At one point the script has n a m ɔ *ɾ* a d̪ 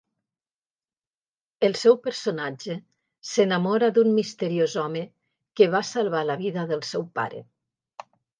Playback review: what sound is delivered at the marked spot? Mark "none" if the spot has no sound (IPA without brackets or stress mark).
ɾ